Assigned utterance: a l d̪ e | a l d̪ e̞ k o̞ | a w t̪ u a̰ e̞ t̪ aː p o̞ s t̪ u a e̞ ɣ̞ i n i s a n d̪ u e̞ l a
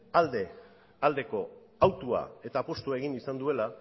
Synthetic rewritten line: a l d̪ e | a l d̪ e̞ k o̞ | a w t̪ u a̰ e̞ t̪ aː p o̞ s t̪ u a e̞ ɣ̞ i n i s a n d̪ u e̞ l a